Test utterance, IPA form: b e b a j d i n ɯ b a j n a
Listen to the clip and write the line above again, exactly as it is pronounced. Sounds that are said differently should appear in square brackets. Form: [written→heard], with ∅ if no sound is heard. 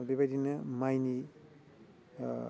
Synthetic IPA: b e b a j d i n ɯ [b→m] a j n [a→i]